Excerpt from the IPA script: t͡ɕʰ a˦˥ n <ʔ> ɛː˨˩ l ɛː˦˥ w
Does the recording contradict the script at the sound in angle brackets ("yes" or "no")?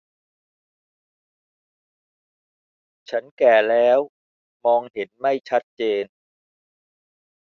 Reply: yes